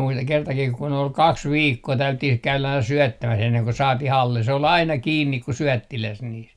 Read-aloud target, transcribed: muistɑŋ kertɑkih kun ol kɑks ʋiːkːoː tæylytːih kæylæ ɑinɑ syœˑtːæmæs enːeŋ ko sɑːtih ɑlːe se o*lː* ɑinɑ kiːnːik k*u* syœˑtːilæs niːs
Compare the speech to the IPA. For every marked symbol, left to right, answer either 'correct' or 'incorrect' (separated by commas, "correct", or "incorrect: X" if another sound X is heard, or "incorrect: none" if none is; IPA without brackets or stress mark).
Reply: incorrect: l, correct